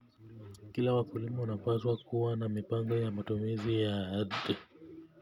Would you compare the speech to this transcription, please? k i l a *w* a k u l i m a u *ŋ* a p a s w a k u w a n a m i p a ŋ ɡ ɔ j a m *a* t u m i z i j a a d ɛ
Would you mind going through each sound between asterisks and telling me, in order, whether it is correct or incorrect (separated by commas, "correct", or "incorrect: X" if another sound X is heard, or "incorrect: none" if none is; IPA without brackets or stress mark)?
correct, incorrect: n, correct